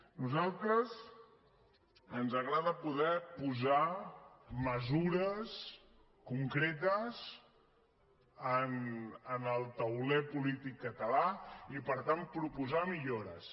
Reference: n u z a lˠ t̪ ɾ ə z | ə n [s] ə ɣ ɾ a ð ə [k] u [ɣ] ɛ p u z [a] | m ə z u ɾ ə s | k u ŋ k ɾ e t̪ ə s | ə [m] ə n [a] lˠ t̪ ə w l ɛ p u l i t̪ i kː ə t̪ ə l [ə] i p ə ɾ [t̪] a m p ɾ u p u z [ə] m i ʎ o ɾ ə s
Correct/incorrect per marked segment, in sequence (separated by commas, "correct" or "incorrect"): incorrect, incorrect, incorrect, correct, incorrect, incorrect, incorrect, correct, incorrect